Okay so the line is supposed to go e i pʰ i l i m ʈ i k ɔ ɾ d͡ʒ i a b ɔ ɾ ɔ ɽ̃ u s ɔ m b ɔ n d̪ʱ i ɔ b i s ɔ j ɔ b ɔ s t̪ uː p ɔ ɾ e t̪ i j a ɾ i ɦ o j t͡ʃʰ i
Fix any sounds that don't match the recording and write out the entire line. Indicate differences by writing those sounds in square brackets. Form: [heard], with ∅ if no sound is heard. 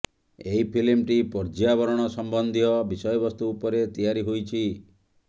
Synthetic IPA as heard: e i pʰ i l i m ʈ i [p] ɔ ɾ d͡ʒ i a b ɔ ɾ ɔ ɽ̃ [ɔ] s ɔ m b ɔ n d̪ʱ i ɔ b i s ɔ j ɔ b ɔ s t̪ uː p ɔ ɾ e t̪ i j a ɾ i ɦ o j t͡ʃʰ i